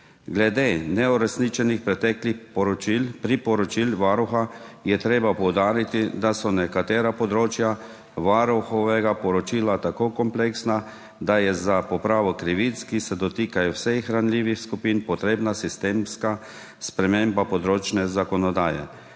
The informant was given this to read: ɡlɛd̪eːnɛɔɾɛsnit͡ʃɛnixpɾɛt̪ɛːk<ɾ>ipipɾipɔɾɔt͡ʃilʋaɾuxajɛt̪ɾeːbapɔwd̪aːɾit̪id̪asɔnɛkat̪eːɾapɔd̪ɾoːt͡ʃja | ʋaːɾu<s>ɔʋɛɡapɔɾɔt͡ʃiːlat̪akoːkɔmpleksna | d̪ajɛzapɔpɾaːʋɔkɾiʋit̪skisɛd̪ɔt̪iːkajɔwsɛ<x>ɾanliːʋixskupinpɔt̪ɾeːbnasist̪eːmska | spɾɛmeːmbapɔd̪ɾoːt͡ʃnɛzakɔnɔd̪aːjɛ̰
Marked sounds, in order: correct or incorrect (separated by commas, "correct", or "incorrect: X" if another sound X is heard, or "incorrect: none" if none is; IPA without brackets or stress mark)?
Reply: incorrect: l, incorrect: x, correct